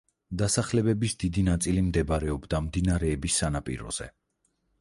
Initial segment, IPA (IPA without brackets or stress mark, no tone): d̪